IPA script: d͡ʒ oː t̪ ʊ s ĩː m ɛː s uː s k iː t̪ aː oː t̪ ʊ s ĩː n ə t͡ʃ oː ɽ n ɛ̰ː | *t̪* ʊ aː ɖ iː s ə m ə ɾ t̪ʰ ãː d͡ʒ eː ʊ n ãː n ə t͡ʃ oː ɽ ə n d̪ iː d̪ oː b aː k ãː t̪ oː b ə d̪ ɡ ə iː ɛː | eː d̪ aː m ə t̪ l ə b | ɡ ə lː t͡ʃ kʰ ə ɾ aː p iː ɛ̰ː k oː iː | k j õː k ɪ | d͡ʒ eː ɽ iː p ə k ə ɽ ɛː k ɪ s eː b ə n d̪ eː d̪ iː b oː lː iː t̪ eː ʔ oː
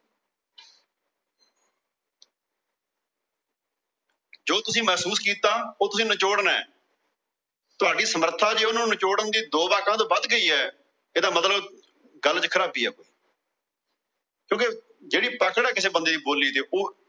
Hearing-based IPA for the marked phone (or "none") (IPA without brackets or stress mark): t̪